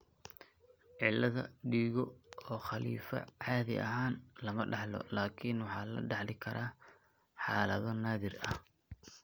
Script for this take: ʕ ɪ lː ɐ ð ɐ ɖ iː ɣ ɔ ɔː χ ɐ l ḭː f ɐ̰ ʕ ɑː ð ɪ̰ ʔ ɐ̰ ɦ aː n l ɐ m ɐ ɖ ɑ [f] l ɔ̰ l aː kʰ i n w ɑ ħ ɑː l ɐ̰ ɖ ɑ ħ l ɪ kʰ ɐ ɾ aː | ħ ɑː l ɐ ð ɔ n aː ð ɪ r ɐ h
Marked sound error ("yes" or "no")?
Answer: yes